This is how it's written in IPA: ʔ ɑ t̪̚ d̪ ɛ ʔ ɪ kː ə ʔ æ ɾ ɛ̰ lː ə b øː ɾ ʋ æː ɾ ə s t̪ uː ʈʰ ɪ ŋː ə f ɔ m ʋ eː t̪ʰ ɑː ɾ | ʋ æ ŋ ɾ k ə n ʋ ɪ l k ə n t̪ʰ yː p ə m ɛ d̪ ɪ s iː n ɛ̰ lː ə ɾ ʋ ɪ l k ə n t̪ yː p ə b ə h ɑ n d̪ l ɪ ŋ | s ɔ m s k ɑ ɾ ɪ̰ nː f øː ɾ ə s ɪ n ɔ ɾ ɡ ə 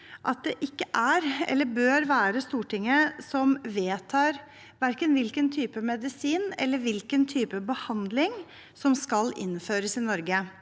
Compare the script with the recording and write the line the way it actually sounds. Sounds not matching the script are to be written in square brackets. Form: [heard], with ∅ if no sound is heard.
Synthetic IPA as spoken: ʔ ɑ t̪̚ d̪ ɛ ʔ ɪ kː ə ʔ æ ɾ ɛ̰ lː ə b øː ɾ ʋ æː ɾ ə s t̪ uː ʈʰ ɪ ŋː ə [s] ɔ m ʋ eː t̪ʰ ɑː ɾ | ʋ æ [∅] ɾ k ə n ʋ ɪ l k ə n t̪ʰ yː p ə m ɛ d̪ ɪ s iː n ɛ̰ lː ə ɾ ʋ ɪ l k ə n [t̪ʰ] yː p ə b ə h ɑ n d̪ l ɪ ŋ | s ɔ m s k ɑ [l] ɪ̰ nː f øː ɾ ə s ɪ n ɔ ɾ ɡ ə